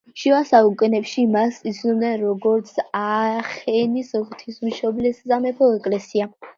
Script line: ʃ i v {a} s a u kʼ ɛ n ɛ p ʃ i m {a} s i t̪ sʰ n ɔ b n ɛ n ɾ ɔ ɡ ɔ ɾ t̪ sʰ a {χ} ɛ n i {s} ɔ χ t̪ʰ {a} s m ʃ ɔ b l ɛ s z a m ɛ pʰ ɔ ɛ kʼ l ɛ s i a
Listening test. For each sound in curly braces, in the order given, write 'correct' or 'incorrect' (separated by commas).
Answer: correct, correct, correct, correct, incorrect